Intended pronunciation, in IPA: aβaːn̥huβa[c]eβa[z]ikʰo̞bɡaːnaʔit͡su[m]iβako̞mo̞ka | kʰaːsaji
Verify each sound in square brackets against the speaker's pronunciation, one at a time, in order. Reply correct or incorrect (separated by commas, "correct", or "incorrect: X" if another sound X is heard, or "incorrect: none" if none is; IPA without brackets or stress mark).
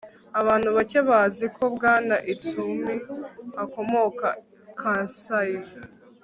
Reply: correct, correct, correct